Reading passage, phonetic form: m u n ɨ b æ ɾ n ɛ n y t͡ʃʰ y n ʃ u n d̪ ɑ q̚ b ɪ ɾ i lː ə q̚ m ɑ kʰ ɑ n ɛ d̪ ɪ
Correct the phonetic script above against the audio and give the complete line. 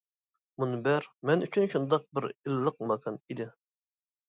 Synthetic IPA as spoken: m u n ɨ b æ ɾ m ɛ n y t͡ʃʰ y n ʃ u n d̪ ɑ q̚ b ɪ ɾ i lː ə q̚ m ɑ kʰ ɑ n i d̪ ɪ